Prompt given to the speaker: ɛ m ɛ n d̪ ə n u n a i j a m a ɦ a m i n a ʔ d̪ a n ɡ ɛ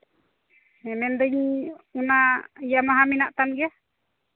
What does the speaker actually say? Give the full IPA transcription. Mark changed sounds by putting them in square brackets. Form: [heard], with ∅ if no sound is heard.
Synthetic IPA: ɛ m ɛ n d̪ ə [ɲ] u n a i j a m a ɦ a m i n a ʔ [t̪] a n ɡ ɛ

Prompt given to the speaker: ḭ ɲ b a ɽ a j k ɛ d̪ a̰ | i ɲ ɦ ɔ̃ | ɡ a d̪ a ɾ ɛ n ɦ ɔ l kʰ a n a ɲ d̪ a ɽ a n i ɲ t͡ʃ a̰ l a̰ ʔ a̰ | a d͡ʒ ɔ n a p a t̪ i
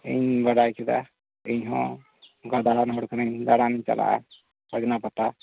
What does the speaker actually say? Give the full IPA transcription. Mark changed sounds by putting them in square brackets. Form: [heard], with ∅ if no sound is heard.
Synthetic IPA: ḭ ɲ b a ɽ a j k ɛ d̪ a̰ | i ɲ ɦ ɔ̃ | ɡ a d̪ a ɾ [a] n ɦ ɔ [ɽ] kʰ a n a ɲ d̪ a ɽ a n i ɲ t͡ʃ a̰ l a̰ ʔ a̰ | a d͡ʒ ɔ n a p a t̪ [a]

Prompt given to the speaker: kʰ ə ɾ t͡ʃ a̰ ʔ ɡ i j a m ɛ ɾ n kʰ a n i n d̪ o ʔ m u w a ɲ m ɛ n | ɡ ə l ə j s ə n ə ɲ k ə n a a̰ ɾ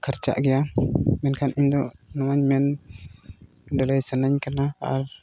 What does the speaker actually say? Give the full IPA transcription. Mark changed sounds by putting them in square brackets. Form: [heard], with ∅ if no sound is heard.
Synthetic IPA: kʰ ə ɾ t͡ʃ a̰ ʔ ɡ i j a m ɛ [∅] n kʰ a n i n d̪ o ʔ [n] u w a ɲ m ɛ n | [d] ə l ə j s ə n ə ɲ k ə n a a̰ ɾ

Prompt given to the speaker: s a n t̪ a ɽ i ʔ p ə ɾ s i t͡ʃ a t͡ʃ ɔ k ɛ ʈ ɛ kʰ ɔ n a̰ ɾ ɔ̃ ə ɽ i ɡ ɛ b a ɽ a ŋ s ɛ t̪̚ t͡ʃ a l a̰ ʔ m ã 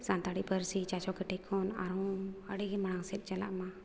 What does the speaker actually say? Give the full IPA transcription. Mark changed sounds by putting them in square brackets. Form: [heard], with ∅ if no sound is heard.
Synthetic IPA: s a n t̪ a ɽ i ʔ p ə ɾ s i t͡ʃ a t͡ʃ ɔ k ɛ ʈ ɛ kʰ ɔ n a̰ ɾ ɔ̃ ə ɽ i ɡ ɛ [m] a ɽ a ŋ s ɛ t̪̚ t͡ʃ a l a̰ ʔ m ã

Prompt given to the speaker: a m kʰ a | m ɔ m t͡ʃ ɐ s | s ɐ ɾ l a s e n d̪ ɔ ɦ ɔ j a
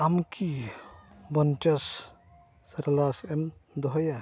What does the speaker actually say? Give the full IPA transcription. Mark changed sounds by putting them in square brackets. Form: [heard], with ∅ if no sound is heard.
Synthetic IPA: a m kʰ [i] | [b] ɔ [n] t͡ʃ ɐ s | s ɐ ɾ l a s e [m] d̪ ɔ ɦ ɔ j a

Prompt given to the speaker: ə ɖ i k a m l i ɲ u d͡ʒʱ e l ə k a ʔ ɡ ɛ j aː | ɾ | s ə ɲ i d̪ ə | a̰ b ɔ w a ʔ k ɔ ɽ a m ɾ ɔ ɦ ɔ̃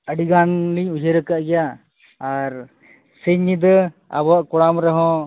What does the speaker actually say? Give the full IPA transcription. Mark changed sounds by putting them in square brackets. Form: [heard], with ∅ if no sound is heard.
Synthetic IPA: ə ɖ i [ɡ] a [n] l i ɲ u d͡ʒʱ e [ɾ] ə k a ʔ ɡ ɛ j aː | ɾ | s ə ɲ i d̪ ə | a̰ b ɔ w a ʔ k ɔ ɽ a m ɾ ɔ ɦ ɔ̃

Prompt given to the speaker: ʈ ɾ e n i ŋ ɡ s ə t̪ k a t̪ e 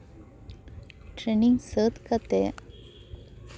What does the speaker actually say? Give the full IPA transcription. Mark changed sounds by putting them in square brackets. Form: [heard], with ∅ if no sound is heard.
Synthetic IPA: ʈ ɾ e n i ŋ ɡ s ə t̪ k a t̪ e

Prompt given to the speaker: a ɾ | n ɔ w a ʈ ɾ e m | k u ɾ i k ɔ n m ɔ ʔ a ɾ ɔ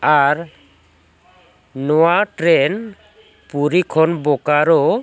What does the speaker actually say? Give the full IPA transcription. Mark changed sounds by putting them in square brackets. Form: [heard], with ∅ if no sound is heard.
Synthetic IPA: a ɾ | n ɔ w a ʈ ɾ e [n] | [p] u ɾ i [kʰ] ɔ n [b] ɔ [k] a ɾ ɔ

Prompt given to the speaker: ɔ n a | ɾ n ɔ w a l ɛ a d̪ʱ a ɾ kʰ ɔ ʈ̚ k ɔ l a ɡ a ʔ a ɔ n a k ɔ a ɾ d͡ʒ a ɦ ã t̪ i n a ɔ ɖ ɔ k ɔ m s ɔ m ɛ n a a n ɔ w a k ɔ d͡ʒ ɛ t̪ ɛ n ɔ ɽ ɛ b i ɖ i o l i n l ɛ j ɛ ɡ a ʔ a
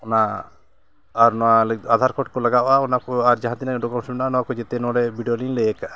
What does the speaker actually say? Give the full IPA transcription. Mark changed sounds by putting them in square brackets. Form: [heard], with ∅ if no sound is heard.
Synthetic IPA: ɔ n a | ɾ n ɔ w a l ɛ a d̪ʱ a ɾ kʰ ɔ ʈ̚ k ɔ l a ɡ a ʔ a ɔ n a k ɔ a ɾ d͡ʒ a ɦ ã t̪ i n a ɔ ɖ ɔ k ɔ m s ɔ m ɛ n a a n ɔ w a k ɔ d͡ʒ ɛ t̪ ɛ n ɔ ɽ ɛ b i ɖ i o l i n l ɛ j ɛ [k] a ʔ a

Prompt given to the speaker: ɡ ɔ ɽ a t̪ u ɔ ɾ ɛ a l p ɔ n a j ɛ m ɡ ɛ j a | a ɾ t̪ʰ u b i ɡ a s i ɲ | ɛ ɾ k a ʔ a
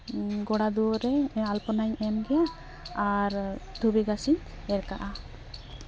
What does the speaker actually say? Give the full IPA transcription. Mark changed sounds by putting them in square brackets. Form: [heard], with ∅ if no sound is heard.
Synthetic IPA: ɡ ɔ ɽ a [d̪] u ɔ ɾ ɛ a l p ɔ n a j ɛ m ɡ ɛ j a | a ɾ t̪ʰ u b i ɡ a s i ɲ | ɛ ɾ k a ʔ a

